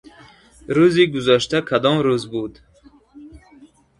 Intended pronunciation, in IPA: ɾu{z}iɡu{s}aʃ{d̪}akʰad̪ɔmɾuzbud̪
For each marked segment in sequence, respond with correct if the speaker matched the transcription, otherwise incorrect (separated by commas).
correct, incorrect, incorrect